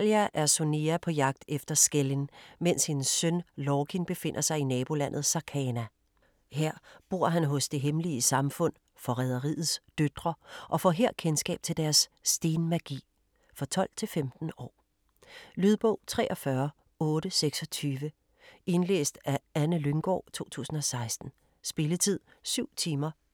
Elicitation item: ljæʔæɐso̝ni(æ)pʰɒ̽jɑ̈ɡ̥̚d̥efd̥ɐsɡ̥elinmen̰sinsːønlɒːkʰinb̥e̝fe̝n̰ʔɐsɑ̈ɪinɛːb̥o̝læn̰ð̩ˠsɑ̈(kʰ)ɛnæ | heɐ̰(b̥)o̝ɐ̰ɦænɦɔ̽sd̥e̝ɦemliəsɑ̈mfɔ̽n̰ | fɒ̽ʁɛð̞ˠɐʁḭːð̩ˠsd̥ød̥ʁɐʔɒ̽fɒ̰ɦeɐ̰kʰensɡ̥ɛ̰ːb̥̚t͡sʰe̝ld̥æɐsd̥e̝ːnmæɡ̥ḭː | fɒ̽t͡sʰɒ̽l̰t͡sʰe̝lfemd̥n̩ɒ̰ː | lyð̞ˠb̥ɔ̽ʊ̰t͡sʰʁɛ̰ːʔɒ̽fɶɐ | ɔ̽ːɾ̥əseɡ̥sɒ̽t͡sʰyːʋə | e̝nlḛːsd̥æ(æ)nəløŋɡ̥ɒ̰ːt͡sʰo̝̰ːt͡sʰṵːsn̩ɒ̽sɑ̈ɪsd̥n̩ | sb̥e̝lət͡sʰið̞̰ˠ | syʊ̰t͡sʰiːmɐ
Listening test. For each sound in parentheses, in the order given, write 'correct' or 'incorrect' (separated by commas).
correct, correct, correct, correct